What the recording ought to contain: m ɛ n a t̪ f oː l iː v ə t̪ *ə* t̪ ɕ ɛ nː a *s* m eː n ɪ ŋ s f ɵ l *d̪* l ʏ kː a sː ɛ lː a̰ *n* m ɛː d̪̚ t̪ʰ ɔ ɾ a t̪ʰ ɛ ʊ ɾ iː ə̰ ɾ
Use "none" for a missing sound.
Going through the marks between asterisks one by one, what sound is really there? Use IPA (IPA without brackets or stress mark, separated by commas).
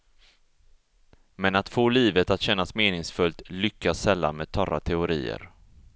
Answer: a, s, t̪, n